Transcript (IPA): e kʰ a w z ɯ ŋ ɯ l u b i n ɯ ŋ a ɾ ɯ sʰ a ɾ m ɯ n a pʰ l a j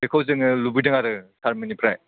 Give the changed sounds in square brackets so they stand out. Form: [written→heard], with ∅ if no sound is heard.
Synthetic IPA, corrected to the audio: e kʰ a w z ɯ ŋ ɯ l u b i [n→d] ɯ ŋ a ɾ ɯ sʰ a ɾ m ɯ n [a→i] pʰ [l→ɾ] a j